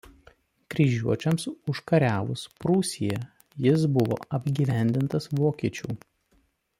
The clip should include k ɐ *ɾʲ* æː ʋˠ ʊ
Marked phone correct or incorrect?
correct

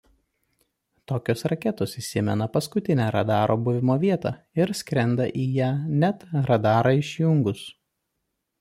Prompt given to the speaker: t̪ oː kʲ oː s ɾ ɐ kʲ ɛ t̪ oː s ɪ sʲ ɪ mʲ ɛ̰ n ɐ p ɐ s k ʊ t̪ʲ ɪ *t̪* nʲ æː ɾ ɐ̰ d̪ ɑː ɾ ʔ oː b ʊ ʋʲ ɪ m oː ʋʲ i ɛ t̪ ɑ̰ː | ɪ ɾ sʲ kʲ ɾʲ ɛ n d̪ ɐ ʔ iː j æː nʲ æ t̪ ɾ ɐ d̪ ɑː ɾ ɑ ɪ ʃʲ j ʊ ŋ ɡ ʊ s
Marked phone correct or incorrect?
incorrect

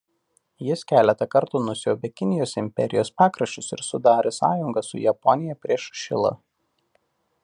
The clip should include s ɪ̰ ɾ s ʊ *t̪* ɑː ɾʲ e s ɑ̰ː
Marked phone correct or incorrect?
incorrect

